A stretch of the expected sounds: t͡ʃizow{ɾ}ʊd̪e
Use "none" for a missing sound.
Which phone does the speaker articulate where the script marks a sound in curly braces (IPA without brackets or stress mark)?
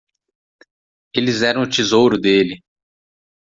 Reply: ɾ